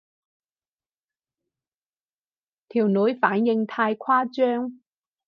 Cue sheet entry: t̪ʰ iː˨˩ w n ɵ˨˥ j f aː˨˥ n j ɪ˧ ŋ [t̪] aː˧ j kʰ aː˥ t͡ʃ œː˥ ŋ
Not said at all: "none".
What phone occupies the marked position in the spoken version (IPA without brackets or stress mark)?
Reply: t̪ʰ